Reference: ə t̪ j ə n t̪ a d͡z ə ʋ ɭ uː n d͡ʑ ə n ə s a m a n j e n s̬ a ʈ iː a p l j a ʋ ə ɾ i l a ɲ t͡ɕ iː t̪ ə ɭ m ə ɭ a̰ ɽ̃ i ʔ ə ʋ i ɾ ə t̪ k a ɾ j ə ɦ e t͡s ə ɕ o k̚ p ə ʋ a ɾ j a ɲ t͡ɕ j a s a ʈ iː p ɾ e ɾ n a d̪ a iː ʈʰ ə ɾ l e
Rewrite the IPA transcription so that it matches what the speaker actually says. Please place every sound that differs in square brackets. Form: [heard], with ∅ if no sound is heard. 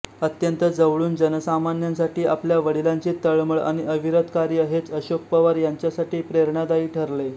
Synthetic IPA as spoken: ə t̪ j ə n t̪ [ə] d͡z ə ʋ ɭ uː n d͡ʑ ə n ə s a m a n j [a] n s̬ a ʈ iː a p l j a ʋ ə [ɽ] i l a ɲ t͡ɕ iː t̪ ə ɭ m ə ɭ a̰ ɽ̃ i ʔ ə ʋ i ɾ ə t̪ k a ɾ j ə ɦ e t͡s ə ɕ o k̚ p ə ʋ a ɾ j a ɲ t͡ɕ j a s a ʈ iː p ɾ e ɾ [ɳ] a d̪ a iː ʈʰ ə ɾ l e